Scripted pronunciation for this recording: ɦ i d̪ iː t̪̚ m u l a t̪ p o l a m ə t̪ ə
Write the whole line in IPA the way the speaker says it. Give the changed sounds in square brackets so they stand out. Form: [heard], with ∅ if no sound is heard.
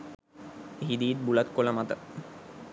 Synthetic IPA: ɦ i d̪ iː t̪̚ [b] u l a t̪ [k] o l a m [a] t̪ ə